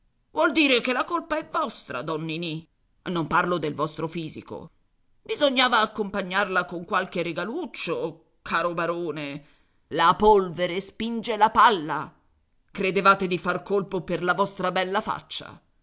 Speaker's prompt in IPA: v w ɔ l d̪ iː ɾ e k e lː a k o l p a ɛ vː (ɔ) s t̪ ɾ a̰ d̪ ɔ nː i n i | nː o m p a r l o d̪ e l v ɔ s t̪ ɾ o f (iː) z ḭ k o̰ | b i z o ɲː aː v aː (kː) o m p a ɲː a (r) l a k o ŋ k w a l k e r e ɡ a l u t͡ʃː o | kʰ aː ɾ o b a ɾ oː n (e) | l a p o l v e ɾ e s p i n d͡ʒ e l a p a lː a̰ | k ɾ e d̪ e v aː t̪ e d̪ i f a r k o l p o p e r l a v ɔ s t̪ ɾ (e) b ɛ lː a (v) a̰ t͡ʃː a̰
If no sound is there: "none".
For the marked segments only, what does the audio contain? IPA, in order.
ɔ, iː, kː, r, e, a, f

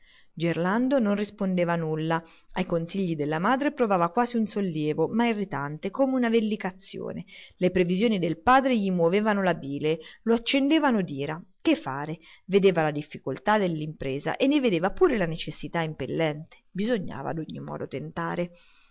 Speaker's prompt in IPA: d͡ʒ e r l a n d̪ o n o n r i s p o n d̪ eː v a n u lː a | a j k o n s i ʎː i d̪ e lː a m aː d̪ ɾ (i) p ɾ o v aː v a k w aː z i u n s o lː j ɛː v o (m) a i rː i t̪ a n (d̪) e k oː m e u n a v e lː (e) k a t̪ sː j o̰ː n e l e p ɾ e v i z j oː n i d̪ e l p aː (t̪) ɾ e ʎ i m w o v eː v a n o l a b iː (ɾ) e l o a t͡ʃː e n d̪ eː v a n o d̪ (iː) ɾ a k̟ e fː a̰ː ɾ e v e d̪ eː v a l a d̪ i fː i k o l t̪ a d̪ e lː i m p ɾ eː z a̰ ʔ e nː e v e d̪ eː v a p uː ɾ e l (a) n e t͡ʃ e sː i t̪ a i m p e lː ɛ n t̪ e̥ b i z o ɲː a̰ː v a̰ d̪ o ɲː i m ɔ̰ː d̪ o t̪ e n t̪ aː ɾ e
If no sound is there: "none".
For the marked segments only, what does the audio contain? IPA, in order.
e, m, t̪, i, d̪, l, iː, a

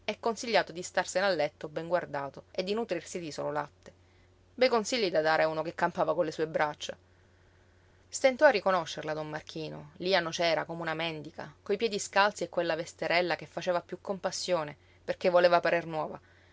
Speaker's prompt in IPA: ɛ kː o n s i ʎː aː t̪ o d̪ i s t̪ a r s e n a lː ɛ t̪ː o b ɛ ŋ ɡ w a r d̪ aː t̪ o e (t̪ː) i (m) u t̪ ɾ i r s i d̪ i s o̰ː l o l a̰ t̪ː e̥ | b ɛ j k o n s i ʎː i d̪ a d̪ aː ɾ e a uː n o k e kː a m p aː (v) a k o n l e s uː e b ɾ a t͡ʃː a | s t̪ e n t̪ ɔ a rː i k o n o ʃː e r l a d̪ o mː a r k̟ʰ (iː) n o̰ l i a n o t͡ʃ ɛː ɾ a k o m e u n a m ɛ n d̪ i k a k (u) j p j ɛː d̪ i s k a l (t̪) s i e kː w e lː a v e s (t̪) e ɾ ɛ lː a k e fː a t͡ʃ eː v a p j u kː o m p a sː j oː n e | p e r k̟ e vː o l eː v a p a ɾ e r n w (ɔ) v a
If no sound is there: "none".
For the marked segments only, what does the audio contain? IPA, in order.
d̪ː, n, v, iː, o, t̪, t̪, ɔː

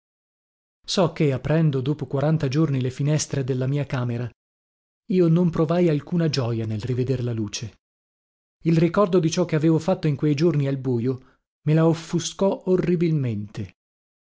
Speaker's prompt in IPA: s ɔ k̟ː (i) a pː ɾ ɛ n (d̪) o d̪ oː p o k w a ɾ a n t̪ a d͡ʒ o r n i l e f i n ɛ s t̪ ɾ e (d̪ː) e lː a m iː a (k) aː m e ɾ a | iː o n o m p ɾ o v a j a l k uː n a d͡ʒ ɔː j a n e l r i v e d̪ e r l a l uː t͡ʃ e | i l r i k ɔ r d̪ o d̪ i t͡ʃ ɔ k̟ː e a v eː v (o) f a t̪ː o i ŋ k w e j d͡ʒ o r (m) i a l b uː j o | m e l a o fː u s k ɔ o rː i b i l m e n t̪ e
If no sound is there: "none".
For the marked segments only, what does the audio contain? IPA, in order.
e, d̪, d̪, k, o, n

